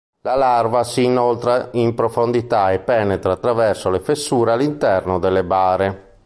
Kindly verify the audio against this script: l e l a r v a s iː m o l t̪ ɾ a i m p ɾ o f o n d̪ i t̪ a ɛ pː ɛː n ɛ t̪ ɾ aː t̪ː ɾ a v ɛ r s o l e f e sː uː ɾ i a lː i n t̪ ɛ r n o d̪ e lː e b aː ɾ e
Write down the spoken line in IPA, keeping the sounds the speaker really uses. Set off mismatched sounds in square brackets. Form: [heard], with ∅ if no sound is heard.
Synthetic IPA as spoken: l [a] l a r v a s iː [n] o l t̪ ɾ a i m p ɾ o f o n d̪ i t̪ a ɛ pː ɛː n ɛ t̪ ɾ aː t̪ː ɾ a v ɛ r s o l e f e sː uː ɾ [e] a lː i n t̪ ɛ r n o d̪ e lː e b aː ɾ e